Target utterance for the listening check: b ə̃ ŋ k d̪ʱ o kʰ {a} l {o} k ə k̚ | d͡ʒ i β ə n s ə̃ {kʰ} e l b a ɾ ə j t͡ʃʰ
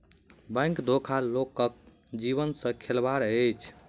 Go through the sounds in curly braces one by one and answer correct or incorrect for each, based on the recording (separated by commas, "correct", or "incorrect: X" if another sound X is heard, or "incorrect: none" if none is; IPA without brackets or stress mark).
correct, correct, correct